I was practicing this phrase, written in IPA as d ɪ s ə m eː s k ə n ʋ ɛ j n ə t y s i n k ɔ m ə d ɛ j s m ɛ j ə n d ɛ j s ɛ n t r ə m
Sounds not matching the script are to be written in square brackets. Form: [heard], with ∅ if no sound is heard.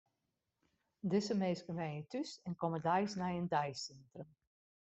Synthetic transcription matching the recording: d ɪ s ə m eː s k ə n ʋ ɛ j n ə t y s [ɛ] n k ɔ m ə d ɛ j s [n] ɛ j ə n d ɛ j s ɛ n t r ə m